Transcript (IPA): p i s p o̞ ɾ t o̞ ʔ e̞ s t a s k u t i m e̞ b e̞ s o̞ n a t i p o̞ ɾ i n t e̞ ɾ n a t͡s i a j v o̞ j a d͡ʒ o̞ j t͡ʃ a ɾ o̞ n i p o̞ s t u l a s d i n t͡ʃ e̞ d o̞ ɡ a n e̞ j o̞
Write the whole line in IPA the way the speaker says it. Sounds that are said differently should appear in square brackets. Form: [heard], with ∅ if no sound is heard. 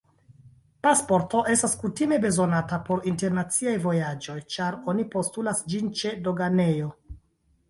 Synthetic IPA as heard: p [a] s p o̞ ɾ t o̞ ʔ e̞ s t a s k u t i m e̞ b e̞ [z] o̞ n a t [a] p o̞ ɾ i n t e̞ ɾ n a t͡s i a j v o̞ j a d͡ʒ o̞ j t͡ʃ a ɾ o̞ n i p o̞ s t u l a s [d͡ʒ] i n t͡ʃ e̞ d o̞ ɡ a n e̞ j o̞